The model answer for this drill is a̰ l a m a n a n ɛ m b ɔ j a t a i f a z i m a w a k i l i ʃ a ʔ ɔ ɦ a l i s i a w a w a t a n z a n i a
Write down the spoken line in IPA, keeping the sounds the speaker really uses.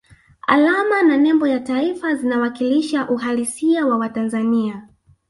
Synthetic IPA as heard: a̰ l a m a n a n ɛ m b ɔ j a t a i f a z i n a w a k i l i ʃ a ʔ u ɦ a l i s i a w a w a t a n z a n i a